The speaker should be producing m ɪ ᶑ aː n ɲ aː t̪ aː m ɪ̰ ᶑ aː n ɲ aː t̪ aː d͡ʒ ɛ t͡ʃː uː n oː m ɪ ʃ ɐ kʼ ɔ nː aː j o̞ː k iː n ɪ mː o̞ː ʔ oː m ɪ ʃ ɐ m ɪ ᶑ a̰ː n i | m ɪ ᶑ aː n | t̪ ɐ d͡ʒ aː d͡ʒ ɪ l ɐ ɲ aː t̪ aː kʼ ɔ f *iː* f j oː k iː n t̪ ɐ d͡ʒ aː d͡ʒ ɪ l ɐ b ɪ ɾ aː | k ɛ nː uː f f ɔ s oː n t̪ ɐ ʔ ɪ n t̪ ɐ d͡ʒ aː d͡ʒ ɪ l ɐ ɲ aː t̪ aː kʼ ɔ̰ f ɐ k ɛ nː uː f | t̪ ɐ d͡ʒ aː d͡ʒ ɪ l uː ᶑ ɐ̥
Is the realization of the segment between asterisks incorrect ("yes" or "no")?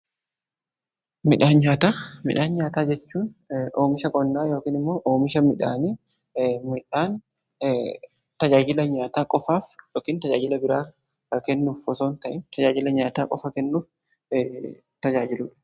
yes